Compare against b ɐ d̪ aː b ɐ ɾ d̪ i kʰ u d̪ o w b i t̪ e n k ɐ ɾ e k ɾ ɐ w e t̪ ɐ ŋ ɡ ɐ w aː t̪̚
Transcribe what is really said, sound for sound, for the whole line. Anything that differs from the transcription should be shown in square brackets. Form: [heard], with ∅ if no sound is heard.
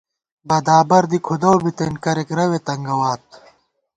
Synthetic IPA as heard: b ɐ d̪ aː b ɐ ɾ d̪ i kʰ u d̪ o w b i t̪ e n k ɐ ɾ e k ɾ ɐ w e t̪ ɐ ŋ ɡ ɐ w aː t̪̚